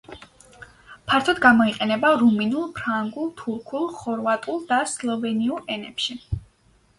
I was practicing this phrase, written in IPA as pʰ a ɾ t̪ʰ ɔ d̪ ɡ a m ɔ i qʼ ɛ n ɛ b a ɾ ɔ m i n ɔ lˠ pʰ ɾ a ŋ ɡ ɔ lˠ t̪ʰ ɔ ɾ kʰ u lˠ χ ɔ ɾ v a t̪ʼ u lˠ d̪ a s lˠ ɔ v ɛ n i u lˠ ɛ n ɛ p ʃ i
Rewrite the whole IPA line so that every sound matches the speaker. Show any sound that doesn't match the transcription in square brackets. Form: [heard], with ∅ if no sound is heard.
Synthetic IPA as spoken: pʰ a ɾ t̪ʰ ɔ d̪ ɡ a m ɔ i qʼ ɛ n ɛ b a ɾ [u] m i n [u] lˠ pʰ ɾ a ŋ ɡ [u] lˠ t̪ʰ [u] ɾ kʰ u lˠ χ ɔ ɾ v a t̪ʼ u lˠ d̪ a s lˠ ɔ v ɛ n i u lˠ ɛ n ɛ p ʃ i

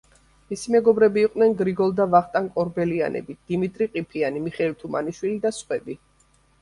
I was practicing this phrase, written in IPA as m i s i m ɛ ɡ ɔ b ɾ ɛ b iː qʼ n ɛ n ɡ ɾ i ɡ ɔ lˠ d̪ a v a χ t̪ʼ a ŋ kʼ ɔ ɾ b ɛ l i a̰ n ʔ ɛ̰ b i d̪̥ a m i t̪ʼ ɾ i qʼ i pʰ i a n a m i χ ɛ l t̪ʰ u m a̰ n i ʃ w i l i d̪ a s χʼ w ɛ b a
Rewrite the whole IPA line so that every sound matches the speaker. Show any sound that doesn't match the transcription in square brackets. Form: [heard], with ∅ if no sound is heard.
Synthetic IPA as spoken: m i s i m ɛ ɡ ɔ b ɾ ɛ b iː qʼ n ɛ n ɡ ɾ i ɡ ɔ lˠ d̪ a v a χ t̪ʼ a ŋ kʼ ɔ ɾ b ɛ l i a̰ n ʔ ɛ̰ b i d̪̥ [i] m i t̪ʼ ɾ i qʼ i pʰ i a n [i] m i χ ɛ l t̪ʰ u m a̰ n i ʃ w i l i d̪ a s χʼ w ɛ b [i]

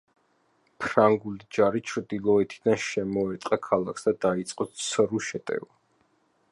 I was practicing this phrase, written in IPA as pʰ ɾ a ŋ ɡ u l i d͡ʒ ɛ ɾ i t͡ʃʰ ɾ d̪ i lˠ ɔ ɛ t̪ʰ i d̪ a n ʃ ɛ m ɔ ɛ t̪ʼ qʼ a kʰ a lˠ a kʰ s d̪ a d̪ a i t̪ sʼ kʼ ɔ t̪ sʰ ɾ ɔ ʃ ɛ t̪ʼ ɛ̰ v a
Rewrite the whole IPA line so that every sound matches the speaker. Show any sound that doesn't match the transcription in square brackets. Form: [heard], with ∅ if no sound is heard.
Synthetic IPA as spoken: pʰ ɾ a ŋ ɡ u l i d͡ʒ [a] ɾ i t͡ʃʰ ɾ d̪ i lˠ ɔ ɛ t̪ʰ i d̪ a n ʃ ɛ m ɔ ɛ t̪ʼ qʼ a kʰ a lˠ a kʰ s d̪ a d̪ a i t̪ sʼ [qʼ] ɔ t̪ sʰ ɾ [u] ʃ ɛ t̪ʼ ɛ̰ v a

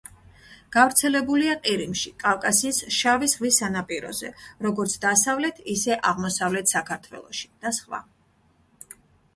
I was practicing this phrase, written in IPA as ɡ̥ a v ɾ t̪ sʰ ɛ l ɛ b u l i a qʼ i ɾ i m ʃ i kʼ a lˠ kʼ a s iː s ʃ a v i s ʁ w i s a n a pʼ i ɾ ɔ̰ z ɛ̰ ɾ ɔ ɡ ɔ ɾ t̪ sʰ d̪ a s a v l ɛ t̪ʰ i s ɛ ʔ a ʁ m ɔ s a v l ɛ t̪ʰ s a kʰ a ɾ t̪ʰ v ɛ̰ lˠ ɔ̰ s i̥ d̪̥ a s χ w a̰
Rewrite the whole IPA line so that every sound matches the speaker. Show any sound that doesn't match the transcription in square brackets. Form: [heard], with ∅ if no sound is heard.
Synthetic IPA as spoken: ɡ̥ a v ɾ t̪ sʰ ɛ l ɛ b u l i a qʼ i ɾ i m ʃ i kʼ a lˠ kʼ a s iː s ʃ a v i s ʁ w i s a n a pʼ i ɾ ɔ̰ z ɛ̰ ɾ ɔ ɡ ɔ ɾ t̪ sʰ d̪ a s a v l ɛ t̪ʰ i s ɛ ʔ a ʁ m ɔ s a v l ɛ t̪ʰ s a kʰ a ɾ t̪ʰ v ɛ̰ lˠ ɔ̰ [ʃ] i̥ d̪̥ a s χ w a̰

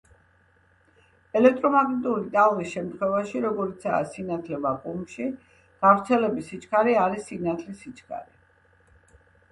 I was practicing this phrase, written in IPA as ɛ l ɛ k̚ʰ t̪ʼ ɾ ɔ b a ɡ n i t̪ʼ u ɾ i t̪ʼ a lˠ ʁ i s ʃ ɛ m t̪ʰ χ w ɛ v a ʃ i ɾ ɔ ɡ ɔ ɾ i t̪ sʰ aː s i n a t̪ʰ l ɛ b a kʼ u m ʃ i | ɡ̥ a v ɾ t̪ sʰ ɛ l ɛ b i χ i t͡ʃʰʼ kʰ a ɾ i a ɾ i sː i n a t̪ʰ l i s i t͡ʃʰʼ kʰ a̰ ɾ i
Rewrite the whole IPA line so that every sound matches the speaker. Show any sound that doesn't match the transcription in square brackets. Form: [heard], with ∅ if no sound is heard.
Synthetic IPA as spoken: ɛ l ɛ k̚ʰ t̪ʼ ɾ ɔ [m] a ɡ n i t̪ʼ u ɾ i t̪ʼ a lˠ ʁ i s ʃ ɛ m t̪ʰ χ w ɛ v a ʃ i ɾ ɔ ɡ ɔ ɾ i t̪ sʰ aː s i n a t̪ʰ l ɛ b a kʼ u m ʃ i | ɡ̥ a v ɾ t̪ sʰ ɛ l ɛ b i [s] i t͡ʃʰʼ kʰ a ɾ i a ɾ i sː i n a t̪ʰ l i s i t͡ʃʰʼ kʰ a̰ ɾ i

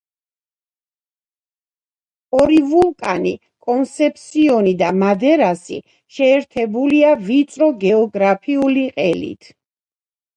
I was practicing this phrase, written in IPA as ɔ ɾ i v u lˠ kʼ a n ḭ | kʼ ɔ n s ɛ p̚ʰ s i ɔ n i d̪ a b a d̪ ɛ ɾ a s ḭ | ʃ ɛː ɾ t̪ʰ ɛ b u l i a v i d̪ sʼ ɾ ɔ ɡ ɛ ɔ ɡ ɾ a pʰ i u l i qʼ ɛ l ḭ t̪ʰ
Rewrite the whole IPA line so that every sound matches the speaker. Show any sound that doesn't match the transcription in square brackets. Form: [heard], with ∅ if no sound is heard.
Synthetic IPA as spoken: ɔ ɾ i v u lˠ kʼ a n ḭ | kʼ ɔ n s ɛ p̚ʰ s i ɔ n i d̪ a [m] a d̪ ɛ ɾ a s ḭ | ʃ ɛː ɾ t̪ʰ ɛ b u l i a v i [t̪] sʼ ɾ ɔ ɡ ɛ ɔ ɡ ɾ a pʰ i u l i qʼ ɛ l ḭ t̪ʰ

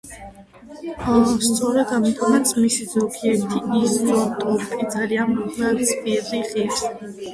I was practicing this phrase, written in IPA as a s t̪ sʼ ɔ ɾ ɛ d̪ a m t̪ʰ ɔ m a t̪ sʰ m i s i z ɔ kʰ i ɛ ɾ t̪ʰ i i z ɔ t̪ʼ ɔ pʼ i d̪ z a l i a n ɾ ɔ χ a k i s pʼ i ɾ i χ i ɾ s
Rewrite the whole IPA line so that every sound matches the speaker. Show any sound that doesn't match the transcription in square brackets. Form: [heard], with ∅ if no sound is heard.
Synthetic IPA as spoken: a s t̪ sʼ ɔ ɾ ɛ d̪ a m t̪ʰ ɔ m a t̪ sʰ m i s i z ɔ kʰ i ɛ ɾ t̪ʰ i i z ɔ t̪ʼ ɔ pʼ i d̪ z a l i a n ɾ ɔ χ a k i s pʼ i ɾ i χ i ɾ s

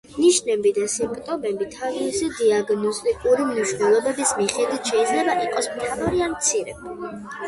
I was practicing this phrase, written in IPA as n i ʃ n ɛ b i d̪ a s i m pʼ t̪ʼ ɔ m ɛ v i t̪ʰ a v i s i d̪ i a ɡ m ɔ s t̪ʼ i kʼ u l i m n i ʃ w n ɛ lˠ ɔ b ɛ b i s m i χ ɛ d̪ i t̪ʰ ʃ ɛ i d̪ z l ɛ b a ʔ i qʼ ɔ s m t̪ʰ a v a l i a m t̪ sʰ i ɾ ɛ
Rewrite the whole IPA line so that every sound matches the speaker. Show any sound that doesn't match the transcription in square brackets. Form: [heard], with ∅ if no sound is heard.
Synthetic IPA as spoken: n i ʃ n ɛ b i d̪ a s i m pʼ t̪ʼ ɔ m ɛ [b] i t̪ʰ a v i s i d̪ i a ɡ [n] ɔ s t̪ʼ i kʼ u [ɾ] i m n i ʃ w n ɛ lˠ ɔ b ɛ b i s m i χ ɛ d̪ i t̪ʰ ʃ ɛ i d̪ z l ɛ b a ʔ i qʼ ɔ s m t̪ʰ a v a [ɾ] i a m t̪ sʰ i ɾ ɛ

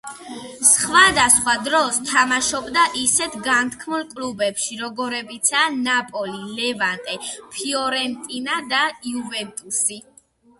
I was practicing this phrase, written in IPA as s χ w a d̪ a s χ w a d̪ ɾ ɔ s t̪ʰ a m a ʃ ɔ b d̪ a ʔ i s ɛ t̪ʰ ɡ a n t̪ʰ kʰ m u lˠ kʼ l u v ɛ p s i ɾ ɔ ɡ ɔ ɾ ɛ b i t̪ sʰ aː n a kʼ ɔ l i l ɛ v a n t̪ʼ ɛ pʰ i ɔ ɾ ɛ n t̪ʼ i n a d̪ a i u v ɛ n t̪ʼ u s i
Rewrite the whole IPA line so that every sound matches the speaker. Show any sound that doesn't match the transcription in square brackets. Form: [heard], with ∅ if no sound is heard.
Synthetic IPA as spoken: s χ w a d̪ a s χ w a d̪ ɾ ɔ s t̪ʰ a m a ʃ ɔ b d̪ a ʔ i s ɛ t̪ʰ ɡ a n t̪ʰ kʰ m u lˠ kʼ l u [b] ɛ p [ʃ] i ɾ ɔ ɡ ɔ ɾ ɛ b i t̪ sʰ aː n a [pʼ] ɔ l i l ɛ v a n t̪ʼ ɛ pʰ i ɔ ɾ ɛ n t̪ʼ i n a d̪ a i u v ɛ n t̪ʼ u s i

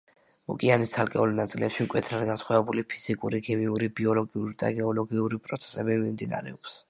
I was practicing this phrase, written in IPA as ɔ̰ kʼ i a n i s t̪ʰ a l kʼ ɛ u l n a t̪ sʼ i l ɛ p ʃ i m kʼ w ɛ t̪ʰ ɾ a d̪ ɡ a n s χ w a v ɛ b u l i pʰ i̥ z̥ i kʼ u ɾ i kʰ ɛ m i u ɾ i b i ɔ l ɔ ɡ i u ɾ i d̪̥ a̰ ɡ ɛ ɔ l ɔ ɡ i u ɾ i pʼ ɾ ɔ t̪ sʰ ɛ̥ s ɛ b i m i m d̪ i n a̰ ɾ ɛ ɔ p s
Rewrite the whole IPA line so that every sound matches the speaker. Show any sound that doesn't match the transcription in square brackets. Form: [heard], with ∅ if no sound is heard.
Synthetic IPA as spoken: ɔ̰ kʼ i a n i s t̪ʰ a l kʼ ɛ u l n a t̪ sʼ i l ɛ p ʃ i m kʼ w ɛ t̪ʰ ɾ a d̪ ɡ a n s χ w a v ɛ b u l i pʰ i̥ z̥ i kʼ u ɾ i kʰ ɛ m i u ɾ i b i ɔ l ɔ ɡ i u ɾ i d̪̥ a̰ ɡ ɛ ɔ l ɔ ɡ i u ɾ i pʼ ɾ ɔ t̪ sʰ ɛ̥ s ɛ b i m i m d̪ i n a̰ ɾ ɛ ɔ p s

